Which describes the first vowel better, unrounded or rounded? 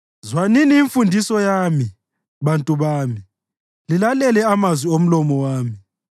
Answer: unrounded